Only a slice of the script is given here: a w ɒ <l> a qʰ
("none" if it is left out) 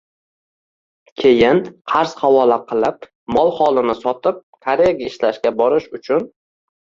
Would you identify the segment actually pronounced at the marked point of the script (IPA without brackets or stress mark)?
l